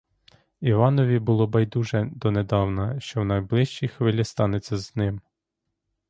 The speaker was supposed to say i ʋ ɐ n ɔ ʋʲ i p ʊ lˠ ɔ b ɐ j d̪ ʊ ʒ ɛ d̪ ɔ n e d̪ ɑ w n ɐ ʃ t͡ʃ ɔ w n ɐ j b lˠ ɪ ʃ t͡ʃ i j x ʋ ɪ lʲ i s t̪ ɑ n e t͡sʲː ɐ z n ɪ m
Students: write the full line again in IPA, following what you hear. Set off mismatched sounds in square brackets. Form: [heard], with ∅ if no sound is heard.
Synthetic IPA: i ʋ [ɑ] n ɔ ʋʲ i [b] ʊ lˠ ɔ b ɐ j d̪ [u] ʒ ɛ d̪ ɔ n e d̪ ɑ w n ɐ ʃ t͡ʃ ɔ w n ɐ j b lˠ ɪ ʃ t͡ʃ i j x ʋ ɪ lʲ i s t̪ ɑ n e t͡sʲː ɐ z n ɪ m